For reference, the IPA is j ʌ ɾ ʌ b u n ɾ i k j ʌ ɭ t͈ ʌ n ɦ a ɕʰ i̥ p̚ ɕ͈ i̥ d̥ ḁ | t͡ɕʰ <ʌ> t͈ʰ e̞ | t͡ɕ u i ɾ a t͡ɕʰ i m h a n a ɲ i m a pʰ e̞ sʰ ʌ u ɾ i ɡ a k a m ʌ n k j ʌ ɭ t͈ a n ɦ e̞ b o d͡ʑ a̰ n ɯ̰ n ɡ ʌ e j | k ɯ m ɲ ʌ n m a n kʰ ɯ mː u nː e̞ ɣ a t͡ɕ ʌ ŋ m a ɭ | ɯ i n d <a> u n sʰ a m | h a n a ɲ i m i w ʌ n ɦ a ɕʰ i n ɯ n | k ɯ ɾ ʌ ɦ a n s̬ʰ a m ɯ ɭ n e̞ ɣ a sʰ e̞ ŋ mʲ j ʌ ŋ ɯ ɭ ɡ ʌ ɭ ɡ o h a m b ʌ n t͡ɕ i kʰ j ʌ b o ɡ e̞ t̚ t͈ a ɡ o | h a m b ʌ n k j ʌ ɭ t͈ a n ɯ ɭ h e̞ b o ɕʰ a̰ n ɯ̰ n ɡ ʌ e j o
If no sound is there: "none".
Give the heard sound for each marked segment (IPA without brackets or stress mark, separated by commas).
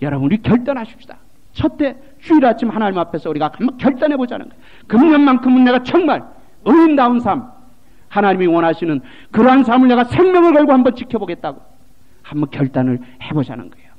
ʌ, a